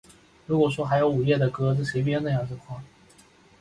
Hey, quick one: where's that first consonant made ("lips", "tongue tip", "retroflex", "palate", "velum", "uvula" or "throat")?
retroflex